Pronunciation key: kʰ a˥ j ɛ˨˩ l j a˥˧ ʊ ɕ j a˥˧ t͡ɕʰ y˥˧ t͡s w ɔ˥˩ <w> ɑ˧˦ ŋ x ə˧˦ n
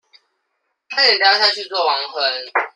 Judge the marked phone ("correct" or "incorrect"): correct